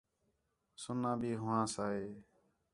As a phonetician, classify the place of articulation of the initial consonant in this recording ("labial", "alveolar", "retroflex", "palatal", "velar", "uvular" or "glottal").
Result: alveolar